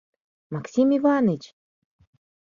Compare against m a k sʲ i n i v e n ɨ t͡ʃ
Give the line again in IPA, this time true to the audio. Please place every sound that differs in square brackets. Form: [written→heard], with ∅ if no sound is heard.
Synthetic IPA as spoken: m a k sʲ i [n→m] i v [e→a] n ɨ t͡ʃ